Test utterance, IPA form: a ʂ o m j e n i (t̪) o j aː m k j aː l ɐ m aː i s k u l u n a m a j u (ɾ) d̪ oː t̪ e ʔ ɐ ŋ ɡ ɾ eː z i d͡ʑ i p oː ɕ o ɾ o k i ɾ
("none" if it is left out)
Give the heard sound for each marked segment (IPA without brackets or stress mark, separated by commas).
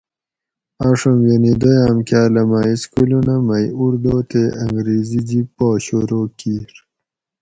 d̪, ɾ